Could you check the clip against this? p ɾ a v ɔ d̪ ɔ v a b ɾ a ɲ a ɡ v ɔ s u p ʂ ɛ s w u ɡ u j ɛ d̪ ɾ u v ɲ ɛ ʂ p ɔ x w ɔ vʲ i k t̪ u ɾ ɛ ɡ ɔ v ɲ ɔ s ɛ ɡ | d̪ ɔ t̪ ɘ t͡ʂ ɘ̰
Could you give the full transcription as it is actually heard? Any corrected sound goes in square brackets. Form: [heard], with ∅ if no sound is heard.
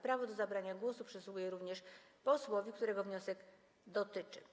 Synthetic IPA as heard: p ɾ a v ɔ d̪ ɔ [z] a b ɾ a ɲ a ɡ [w] ɔ s u p ʂ ɛ s w u ɡ u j ɛ [∅] ɾ u v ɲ ɛ ʂ p ɔ [s] w ɔ vʲ i k t̪ u ɾ ɛ ɡ ɔ v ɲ ɔ s ɛ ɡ | d̪ ɔ t̪ ɘ t͡ʂ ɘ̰